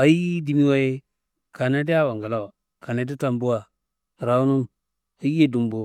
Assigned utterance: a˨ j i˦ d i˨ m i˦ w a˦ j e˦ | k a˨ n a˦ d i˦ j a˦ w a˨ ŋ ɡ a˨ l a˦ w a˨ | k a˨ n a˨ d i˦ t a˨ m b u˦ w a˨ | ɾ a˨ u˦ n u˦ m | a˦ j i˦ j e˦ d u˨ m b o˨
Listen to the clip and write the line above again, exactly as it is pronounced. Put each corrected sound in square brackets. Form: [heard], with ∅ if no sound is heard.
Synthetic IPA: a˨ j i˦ d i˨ m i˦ w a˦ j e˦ | k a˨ n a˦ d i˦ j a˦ w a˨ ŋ ɡ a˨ l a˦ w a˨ | k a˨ n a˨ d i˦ t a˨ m b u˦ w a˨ | ɾ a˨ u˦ n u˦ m | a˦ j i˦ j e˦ d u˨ m b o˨